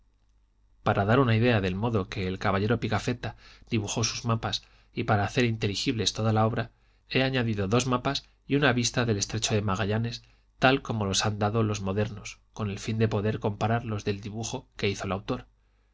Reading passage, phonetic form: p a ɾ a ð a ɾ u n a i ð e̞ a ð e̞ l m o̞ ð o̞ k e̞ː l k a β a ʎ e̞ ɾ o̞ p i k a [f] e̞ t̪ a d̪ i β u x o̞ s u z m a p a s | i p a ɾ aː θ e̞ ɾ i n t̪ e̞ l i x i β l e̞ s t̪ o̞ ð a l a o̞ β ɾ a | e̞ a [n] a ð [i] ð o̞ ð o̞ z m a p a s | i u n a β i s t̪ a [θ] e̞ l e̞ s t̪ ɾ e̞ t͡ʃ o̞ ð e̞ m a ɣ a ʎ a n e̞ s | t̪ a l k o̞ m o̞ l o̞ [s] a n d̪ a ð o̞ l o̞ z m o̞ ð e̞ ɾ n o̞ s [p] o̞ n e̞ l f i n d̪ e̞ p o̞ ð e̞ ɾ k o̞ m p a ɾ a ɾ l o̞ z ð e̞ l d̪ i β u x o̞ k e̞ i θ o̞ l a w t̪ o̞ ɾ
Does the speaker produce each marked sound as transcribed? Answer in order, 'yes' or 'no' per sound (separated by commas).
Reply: yes, no, yes, no, yes, no